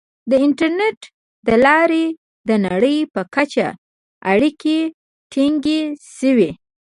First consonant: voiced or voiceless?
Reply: voiced